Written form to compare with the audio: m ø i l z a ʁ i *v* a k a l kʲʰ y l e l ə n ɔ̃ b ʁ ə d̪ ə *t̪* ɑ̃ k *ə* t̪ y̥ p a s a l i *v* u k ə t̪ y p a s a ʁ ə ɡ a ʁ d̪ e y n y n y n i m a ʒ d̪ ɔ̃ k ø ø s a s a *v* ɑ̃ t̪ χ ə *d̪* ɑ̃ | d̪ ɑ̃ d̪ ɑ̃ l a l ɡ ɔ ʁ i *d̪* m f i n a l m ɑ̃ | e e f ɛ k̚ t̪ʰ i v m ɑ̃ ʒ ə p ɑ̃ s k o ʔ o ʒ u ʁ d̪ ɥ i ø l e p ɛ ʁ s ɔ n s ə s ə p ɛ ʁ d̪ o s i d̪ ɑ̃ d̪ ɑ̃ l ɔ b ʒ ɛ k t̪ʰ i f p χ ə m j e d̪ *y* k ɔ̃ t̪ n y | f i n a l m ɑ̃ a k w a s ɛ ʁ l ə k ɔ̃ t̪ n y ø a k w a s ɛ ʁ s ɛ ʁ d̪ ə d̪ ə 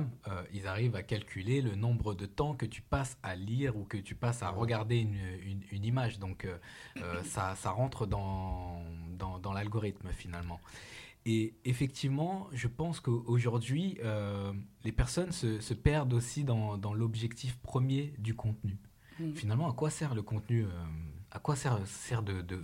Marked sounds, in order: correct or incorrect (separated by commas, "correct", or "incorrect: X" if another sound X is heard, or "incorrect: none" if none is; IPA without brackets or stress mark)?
correct, correct, correct, incorrect: ʁ, incorrect: ʁ, correct, incorrect: t̪, correct